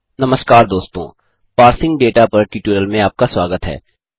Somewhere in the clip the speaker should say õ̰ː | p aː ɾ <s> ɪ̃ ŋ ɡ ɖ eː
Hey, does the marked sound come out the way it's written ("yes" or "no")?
yes